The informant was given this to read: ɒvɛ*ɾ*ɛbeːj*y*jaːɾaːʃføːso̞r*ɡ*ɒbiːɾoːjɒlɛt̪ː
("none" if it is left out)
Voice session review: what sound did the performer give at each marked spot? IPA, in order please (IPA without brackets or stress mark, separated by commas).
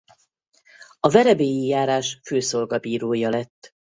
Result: ɾ, i, ɡ